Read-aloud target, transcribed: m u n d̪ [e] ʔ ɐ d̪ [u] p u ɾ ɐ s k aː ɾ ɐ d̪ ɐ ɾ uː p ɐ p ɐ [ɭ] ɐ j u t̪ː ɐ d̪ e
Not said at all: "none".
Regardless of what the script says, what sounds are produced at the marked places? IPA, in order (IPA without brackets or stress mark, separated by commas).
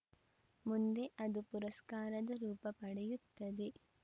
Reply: e, u, ɽ